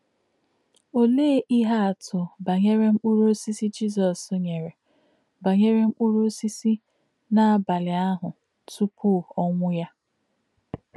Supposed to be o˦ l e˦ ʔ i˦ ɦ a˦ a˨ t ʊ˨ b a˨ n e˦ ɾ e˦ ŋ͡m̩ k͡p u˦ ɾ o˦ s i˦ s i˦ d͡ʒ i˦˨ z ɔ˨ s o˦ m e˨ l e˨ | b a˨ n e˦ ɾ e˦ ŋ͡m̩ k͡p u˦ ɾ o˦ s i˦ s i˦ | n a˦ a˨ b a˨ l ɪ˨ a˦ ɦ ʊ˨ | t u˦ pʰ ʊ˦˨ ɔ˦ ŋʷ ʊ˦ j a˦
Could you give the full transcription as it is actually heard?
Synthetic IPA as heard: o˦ l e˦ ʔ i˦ ɦ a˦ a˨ t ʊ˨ b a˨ ɲ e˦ ɾ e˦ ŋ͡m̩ k͡p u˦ ɾ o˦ s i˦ s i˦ d͡ʒ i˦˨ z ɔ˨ s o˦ ɲ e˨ ɾ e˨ | b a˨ ɲ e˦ ɾ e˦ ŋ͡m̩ k͡p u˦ ɾ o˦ s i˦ s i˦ | n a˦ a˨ b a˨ l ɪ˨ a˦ ɦ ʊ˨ | t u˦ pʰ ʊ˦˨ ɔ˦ ŋʷ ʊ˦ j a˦